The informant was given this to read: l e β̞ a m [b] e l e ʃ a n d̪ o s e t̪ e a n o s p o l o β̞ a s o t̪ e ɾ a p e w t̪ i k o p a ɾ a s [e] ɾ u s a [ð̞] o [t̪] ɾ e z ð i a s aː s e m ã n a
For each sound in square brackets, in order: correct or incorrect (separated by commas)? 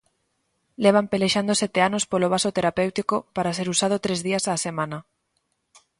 incorrect, correct, correct, correct